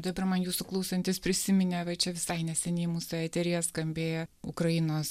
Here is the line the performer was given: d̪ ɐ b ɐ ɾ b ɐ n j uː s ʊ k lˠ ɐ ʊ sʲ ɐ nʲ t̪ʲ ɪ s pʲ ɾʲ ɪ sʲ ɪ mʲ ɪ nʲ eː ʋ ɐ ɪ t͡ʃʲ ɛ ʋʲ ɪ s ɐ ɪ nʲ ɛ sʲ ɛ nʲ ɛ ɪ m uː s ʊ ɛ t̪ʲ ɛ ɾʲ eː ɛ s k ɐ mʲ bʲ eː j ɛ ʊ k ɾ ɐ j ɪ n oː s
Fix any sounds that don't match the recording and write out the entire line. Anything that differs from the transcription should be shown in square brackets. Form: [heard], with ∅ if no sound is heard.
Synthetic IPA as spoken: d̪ ɐ b ɐ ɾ [m] ɐ n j uː s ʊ k lˠ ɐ ʊ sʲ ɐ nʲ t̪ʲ ɪ s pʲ ɾʲ ɪ sʲ ɪ mʲ ɪ nʲ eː ʋ ɐ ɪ t͡ʃʲ ɛ ʋʲ ɪ s ɐ ɪ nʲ ɛ sʲ ɛ nʲ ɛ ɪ m uː s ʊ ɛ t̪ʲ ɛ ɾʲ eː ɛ s k ɐ mʲ bʲ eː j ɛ ʊ k ɾ ɐ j ɪ n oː s